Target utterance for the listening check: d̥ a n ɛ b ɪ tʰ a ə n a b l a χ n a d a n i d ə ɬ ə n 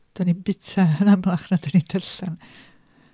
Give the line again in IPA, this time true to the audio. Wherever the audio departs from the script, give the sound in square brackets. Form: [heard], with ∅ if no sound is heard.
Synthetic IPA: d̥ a n [i] b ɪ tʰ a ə n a [m] l a χ n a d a n i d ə ɬ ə n